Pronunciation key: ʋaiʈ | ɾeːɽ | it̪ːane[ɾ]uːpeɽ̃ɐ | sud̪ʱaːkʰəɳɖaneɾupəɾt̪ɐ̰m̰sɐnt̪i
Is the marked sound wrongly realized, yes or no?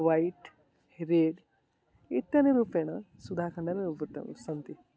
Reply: no